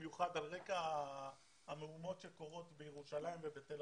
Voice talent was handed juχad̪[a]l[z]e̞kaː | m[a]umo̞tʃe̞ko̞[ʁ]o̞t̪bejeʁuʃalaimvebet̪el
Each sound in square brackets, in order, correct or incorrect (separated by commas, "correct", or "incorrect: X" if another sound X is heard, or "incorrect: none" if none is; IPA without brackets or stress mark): correct, incorrect: ʁ, incorrect: e, correct